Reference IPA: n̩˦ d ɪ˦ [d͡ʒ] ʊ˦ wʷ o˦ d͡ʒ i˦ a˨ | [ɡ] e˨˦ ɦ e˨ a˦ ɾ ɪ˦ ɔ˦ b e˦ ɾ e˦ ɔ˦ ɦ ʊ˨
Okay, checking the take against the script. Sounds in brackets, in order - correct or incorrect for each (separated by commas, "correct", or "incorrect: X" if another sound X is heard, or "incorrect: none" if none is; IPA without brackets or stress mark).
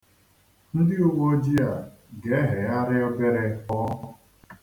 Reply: incorrect: none, correct